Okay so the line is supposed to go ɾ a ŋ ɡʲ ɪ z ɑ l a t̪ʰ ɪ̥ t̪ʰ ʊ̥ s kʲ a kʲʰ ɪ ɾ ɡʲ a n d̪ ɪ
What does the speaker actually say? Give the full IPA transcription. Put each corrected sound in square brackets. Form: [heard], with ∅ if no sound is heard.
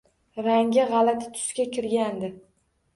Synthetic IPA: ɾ a ŋ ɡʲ ɪ [ʁ] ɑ l a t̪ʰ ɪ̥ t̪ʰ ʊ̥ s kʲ a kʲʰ ɪ ɾ ɡʲ a n d̪ ɪ